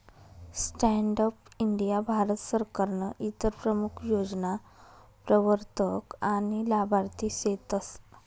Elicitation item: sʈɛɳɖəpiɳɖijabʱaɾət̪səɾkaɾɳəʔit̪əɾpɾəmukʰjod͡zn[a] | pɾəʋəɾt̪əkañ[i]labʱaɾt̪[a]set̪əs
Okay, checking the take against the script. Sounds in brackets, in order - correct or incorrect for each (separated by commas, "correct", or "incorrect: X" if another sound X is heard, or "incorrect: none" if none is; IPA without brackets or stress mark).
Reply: correct, correct, incorrect: i